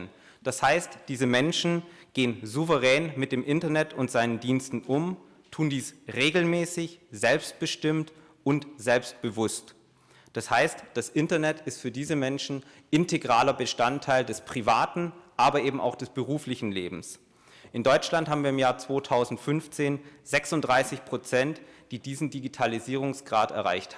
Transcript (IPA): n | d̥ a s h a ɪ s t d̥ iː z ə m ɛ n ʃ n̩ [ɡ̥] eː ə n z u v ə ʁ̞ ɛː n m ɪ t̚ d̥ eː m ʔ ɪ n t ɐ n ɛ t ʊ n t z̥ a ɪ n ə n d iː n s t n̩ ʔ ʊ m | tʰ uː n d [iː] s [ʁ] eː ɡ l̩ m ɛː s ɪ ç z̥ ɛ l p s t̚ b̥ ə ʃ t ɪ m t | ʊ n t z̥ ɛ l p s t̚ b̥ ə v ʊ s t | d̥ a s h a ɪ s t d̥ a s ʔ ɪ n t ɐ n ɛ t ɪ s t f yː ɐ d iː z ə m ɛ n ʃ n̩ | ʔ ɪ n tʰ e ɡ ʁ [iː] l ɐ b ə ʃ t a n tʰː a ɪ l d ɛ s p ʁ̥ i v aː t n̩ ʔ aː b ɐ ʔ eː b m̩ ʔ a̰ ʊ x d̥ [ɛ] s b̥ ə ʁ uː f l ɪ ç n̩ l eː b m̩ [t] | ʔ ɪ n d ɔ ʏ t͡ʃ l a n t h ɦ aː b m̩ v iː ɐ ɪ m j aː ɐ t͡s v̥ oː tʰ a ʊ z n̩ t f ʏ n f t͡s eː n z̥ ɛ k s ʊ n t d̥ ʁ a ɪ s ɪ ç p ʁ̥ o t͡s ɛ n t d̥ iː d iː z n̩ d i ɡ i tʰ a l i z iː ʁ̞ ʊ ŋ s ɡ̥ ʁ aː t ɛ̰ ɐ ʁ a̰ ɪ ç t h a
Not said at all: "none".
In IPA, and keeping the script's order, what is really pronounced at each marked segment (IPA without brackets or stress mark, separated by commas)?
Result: ɡ̥, iː, ʁ, aː, ɛ, s